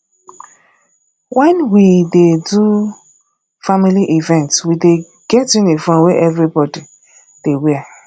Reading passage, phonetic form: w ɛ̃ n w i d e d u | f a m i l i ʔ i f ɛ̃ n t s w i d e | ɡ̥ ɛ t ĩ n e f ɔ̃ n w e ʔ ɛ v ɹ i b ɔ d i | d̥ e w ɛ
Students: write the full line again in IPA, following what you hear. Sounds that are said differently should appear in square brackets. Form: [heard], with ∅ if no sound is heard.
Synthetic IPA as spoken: w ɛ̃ n w i d e d u | f a m i l i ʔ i [v] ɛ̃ n t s w i d e | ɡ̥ ɛ t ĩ n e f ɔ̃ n w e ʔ ɛ v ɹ i b ɔ d i | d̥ e w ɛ